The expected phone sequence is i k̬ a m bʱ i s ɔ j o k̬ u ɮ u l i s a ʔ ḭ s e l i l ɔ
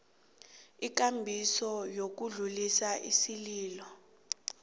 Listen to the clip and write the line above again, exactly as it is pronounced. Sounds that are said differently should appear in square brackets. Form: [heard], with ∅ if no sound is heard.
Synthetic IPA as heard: i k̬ a m bʱ i s ɔ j o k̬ u ɮ u l i s a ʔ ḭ s [i] l [iː] l ɔ